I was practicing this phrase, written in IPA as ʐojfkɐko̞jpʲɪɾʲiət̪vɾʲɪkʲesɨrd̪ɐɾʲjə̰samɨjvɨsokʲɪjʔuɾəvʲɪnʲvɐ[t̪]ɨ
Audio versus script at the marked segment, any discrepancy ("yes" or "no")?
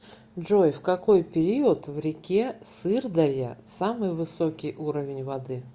yes